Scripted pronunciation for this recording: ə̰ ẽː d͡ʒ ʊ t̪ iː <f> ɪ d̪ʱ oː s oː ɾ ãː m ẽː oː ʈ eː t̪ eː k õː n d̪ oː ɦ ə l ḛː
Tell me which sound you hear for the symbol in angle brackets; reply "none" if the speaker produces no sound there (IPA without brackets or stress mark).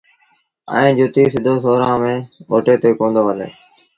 s